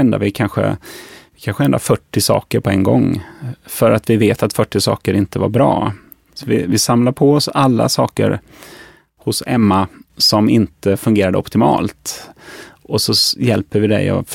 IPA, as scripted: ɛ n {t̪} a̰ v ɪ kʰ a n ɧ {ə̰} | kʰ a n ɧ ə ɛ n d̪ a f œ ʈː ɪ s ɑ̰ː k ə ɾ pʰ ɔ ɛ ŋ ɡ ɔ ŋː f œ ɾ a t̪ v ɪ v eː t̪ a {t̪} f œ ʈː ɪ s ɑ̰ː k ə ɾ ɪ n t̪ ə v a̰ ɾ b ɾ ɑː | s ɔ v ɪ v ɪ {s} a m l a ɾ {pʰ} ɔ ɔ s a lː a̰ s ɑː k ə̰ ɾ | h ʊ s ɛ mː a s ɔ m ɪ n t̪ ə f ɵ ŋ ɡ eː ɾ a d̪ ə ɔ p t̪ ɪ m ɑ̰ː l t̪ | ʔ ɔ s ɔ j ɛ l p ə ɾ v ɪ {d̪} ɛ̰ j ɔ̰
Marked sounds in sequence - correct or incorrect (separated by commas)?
incorrect, correct, correct, correct, correct, correct